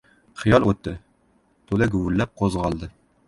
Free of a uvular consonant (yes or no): no